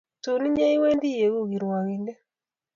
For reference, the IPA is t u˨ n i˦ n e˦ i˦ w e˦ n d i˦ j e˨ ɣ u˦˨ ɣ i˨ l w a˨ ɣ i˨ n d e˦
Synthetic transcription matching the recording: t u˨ n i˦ ɲ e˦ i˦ w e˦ n d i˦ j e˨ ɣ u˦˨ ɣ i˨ ɾ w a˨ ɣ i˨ n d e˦